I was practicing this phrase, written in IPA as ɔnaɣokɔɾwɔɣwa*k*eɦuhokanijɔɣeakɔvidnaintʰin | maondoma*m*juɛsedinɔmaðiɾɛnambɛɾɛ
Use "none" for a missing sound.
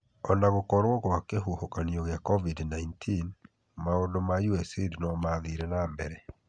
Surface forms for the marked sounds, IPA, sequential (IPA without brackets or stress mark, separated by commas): k, none